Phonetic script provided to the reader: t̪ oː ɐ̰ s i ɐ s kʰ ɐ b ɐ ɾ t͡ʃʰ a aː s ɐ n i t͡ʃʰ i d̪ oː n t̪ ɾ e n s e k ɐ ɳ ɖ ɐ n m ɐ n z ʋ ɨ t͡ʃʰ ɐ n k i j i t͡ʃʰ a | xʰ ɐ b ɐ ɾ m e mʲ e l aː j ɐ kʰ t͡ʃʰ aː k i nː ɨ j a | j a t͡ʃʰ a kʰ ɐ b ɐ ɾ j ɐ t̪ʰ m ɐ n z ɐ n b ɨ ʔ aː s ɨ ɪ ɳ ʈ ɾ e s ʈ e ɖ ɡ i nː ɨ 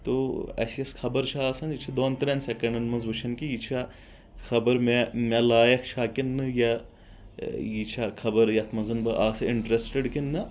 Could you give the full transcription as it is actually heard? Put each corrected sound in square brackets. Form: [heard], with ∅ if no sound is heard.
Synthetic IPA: t̪ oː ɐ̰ s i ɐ s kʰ ɐ b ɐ ɾ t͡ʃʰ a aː s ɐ n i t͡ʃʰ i d̪ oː n t̪ ɾ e n s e k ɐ ɳ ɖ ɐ n m ɐ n z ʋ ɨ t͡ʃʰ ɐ n k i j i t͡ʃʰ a | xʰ ɐ b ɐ ɾ m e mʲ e l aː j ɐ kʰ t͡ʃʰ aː k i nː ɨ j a | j [i] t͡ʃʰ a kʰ ɐ b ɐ ɾ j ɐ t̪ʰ m ɐ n z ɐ n b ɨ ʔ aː s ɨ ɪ ɳ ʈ ɾ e s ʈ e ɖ [k] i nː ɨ